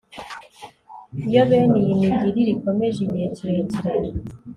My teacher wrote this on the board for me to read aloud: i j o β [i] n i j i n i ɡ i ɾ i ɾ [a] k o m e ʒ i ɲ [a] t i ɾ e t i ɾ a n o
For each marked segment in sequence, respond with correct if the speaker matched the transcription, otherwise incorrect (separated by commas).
incorrect, incorrect, incorrect